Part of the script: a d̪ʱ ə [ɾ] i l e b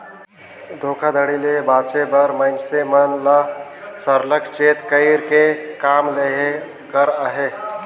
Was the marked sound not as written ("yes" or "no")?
yes